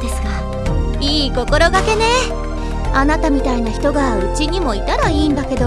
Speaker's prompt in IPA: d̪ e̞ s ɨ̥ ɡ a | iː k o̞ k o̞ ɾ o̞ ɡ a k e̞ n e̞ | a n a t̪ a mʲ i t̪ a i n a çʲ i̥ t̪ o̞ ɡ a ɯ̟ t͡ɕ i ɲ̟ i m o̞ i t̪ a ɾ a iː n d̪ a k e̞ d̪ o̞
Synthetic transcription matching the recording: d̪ e̞ s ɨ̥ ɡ a | iː k o̞ k o̞ ɾ o̞ ɡ a k e̞ n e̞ | a n a t̪ a mʲ i t̪ a i n a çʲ i̥ t̪ o̞ ɡ a ɯ̟ t͡ɕ i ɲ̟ i m o̞ i t̪ a ɾ a iː n d̪ a k e̞ d̪ o̞